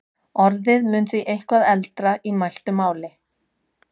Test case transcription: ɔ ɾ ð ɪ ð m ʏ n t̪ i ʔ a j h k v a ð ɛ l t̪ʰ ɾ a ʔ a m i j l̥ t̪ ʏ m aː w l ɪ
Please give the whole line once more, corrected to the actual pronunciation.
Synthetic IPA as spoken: ɔ ɾ ð ɪ ð m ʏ n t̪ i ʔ e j h k v a ð ɛ l t̪ ɾ a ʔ i m a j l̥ t̪ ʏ m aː w l ɪ